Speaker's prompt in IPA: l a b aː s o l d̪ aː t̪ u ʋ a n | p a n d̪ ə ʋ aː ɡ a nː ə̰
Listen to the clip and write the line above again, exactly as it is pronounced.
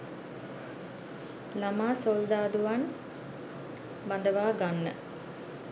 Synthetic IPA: l a m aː s o l d̪ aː d̪ u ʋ a n | b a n d̪ ə ʋ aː ɡ a nː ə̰